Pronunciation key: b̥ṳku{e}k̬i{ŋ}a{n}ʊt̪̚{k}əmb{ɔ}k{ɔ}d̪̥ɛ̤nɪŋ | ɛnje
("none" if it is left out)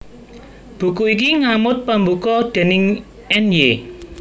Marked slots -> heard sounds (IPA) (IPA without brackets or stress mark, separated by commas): i, ŋ, m, p, u, ɔ